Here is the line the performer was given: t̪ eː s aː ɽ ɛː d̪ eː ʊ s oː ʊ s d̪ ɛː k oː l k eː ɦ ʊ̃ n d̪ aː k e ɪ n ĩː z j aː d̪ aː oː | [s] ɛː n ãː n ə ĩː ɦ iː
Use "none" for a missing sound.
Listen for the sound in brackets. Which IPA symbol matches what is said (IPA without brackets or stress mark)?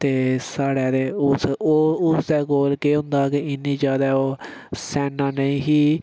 s